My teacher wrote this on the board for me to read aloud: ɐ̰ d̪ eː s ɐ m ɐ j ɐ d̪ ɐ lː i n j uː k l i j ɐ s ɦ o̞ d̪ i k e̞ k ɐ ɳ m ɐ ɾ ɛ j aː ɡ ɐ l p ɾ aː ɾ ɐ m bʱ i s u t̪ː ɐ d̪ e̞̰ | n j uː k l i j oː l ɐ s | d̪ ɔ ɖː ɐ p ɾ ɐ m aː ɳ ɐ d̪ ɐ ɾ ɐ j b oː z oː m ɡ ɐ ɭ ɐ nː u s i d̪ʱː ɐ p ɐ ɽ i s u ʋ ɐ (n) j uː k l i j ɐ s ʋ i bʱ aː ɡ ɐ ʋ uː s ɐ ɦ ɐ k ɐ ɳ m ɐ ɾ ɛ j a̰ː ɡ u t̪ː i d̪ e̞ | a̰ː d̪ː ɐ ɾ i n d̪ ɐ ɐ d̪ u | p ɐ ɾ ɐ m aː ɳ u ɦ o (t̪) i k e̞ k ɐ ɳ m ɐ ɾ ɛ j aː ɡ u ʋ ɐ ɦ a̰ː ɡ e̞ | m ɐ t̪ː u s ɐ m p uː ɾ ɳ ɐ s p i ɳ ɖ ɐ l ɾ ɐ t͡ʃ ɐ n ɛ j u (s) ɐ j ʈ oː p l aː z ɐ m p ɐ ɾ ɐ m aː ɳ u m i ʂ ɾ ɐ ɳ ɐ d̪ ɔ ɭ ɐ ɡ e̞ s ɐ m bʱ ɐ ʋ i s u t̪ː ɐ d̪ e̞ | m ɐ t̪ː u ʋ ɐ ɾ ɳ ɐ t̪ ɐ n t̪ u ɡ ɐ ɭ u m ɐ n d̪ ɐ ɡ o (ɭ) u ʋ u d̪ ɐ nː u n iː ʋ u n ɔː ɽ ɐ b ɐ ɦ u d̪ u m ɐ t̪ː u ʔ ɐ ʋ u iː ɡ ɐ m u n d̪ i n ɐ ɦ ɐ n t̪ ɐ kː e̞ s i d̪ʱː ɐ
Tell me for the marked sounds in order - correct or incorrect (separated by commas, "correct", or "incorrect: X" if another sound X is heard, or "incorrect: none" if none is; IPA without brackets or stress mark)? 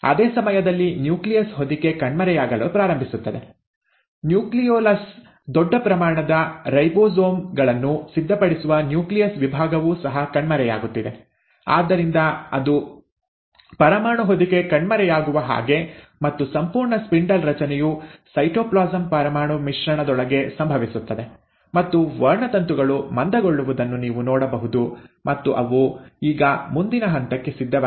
correct, incorrect: d̪, correct, incorrect: ɭː